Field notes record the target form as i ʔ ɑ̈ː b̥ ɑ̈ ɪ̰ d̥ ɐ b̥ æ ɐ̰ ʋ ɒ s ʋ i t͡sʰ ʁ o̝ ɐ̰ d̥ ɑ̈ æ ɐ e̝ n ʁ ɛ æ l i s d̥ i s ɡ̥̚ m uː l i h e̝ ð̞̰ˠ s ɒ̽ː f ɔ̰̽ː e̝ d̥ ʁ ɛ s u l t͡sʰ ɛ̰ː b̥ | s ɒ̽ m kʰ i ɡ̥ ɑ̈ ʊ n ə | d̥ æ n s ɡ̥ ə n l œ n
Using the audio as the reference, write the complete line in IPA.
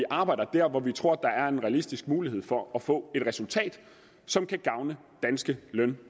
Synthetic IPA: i ʔ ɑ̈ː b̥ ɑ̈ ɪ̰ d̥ ɐ d̥ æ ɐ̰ ʋ ɒ ʋ i t͡sʰ ʁ o̝ ɐ̰ d̥ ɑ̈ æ ɐ e̝ n ʁ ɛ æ l i s d̥ i s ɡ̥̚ m uː l i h e̝ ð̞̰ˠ f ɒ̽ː f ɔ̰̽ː e̝ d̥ ʁ ɛ s u l t͡sʰ ɛ̰ː d̥ | s ɒ̽ m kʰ æ ɡ̥ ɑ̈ ʊ n ə | d̥ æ n s ɡ̥ ə l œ n